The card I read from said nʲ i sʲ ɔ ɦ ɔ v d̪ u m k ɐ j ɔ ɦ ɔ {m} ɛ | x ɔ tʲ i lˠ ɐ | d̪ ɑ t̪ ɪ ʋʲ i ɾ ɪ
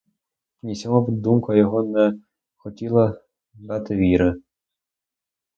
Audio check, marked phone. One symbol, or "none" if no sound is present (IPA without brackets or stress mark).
n